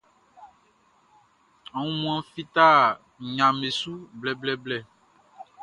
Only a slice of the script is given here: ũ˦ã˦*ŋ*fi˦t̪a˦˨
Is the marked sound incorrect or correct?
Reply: incorrect